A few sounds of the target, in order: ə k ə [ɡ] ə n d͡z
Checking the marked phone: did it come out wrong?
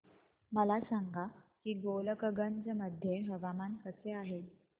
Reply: no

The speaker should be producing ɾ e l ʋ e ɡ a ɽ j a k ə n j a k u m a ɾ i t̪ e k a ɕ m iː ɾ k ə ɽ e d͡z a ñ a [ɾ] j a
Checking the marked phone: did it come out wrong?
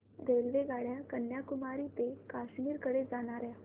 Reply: no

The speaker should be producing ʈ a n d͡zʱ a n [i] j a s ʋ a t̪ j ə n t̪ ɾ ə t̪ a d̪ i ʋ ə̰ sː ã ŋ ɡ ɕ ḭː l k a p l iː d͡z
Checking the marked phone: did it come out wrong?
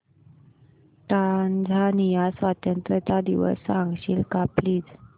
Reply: no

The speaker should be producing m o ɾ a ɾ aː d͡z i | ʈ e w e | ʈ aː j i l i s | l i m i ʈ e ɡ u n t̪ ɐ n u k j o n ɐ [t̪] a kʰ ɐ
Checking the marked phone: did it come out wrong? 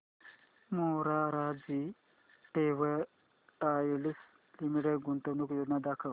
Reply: yes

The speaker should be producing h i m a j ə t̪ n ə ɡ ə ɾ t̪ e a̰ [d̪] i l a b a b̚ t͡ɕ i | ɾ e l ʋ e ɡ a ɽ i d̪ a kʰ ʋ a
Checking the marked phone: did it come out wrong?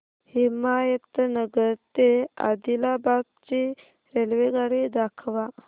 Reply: no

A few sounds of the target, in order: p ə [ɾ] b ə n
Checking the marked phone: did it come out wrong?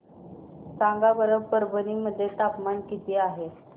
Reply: no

